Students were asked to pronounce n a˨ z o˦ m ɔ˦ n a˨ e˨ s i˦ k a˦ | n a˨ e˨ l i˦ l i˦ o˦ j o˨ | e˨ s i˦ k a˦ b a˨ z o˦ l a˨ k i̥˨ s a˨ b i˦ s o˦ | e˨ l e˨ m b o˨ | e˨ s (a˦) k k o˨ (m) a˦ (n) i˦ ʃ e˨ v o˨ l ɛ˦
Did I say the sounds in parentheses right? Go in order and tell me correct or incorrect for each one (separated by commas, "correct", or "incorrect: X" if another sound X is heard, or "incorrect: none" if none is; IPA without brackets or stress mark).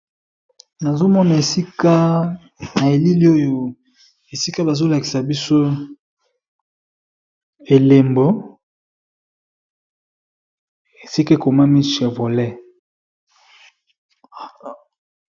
incorrect: i˦, correct, incorrect: m